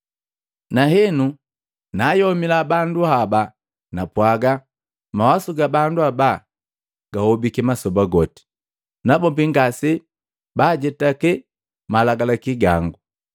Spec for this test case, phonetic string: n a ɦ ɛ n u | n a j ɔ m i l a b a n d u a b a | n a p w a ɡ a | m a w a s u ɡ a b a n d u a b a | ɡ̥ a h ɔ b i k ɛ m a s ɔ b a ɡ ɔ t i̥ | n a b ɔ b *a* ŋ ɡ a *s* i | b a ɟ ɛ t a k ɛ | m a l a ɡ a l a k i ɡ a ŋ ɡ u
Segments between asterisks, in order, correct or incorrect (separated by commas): incorrect, correct